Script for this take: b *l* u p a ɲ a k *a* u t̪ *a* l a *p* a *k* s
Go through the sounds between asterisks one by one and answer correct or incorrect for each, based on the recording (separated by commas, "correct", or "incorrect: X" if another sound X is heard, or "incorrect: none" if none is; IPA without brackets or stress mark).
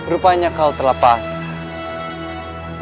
incorrect: ɾ, correct, incorrect: ə, correct, incorrect: none